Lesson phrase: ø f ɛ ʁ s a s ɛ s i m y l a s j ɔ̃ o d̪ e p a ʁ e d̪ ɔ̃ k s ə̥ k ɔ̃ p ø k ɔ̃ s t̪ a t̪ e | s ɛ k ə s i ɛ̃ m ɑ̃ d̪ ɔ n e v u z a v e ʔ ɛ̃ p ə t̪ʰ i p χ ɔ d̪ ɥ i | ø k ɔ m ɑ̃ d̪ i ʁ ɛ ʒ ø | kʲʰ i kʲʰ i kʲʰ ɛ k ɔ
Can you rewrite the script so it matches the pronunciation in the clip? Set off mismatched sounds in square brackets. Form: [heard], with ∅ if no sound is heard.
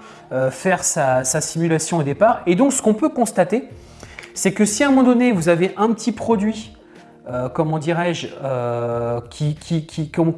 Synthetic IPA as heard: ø f ɛ ʁ s a s [a] s i m y l a s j ɔ̃ o d̪ e p a ʁ e d̪ ɔ̃ k s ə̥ k ɔ̃ p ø k ɔ̃ s t̪ a t̪ e | s ɛ k ə s i ɛ̃ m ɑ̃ d̪ ɔ n e v u z a v e ʔ ɛ̃ p ə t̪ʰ i p χ ɔ d̪ ɥ i | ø k ɔ m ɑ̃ d̪ i ʁ ɛ ʒ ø | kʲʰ i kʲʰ i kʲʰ [i] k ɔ

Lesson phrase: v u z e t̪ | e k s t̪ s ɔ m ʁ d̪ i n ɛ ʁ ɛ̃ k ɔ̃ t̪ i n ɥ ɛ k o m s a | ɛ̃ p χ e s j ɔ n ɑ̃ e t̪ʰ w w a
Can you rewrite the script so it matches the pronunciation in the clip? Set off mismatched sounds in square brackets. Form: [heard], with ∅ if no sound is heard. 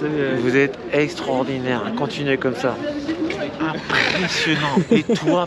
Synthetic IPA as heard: v u z [ɛ] t̪ | [ɛ] k s t̪ [χ] ɔ [∅] ʁ d̪ i n ɛ ʁ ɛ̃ k ɔ̃ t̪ i n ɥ ɛ k [ɔ] m s a | ɛ̃ p χ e s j ɔ n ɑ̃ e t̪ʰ w w a

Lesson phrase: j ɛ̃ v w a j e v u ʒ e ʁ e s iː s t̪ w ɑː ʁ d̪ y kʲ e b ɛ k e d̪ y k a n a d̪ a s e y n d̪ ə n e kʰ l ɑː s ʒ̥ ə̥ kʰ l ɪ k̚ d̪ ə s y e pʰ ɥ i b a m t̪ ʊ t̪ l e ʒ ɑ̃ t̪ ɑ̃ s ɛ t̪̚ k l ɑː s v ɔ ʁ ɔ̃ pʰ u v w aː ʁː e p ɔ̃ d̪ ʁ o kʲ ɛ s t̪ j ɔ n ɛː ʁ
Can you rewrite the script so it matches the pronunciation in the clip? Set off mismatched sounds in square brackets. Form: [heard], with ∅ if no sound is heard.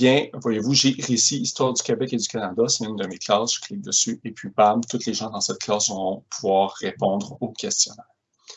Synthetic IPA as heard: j ɛ̃ v w a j e v u ʒ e ʁ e s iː s t̪ w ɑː ʁ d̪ y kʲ e b ɛ k e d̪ y k a n a d̪ a s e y n d̪ ə [m] e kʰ l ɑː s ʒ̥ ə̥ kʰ l ɪ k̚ d̪ ə s y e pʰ ɥ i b a m t̪ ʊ t̪ l e ʒ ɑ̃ [d̪] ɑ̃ s ɛ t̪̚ k l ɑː s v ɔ ʁ ɔ̃ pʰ u v w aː ʁː e p ɔ̃ d̪ ʁ o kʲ ɛ s t̪ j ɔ n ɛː ʁ

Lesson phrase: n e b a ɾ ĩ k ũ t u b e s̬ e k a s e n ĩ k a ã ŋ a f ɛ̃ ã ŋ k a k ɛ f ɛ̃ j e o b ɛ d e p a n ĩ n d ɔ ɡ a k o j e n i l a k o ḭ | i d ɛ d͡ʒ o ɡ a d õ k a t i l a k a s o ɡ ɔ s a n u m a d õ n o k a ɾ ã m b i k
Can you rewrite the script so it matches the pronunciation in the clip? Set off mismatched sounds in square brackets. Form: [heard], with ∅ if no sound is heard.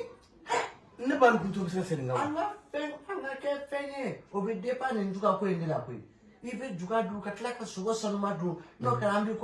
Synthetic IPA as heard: n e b a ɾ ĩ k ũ t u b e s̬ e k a s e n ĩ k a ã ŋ a f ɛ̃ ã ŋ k a k ɛ f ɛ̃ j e o b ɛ d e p a n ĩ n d [u] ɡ a k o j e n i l a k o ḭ | i [b] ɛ d͡ʒ [u] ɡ a d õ k a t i l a k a s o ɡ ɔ s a n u m a d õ n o k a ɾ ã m b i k

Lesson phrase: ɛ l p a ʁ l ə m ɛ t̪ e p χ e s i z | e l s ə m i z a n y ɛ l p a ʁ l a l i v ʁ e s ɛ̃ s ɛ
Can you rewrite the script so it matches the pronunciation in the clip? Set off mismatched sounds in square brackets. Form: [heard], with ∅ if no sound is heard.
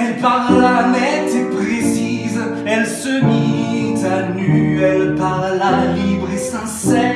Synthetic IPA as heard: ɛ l p a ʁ l [a] m ɛ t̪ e p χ e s i z | [ɛ] l s ə m i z a n y ɛ l p a ʁ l a l i [b] ʁ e s ɛ̃ s ɛ

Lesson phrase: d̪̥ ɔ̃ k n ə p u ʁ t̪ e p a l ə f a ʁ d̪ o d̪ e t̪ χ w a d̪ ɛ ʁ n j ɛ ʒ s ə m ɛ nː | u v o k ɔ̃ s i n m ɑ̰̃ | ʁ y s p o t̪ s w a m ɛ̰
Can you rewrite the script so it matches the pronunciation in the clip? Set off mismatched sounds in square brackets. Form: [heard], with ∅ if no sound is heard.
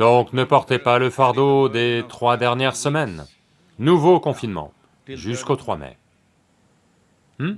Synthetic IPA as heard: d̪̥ ɔ̃ k n ə p [ɔ] ʁ t̪ e p a l ə f a ʁ d̪ o d̪ e t̪ χ w a d̪ ɛ ʁ n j ɛ [ʁ] s ə m ɛ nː | u v o k ɔ̃ [f] i n m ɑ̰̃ | [ʒ] y s [k] o t̪ [χ] w a m ɛ̰

